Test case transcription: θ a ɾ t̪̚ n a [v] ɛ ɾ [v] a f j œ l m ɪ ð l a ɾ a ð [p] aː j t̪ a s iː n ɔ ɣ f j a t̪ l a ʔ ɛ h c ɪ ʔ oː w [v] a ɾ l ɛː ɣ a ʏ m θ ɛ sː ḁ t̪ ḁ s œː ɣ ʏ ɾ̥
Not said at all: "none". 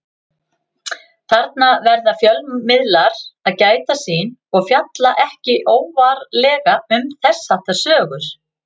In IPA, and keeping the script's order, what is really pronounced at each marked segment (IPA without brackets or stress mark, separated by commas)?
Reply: v, ð, c, v